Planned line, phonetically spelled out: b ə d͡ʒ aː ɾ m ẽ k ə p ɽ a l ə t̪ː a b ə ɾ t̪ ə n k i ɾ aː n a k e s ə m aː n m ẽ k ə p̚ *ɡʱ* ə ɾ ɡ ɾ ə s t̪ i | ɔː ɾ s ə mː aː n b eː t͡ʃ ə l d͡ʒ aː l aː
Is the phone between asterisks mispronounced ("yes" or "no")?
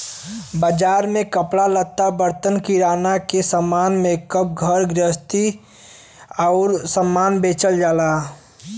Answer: no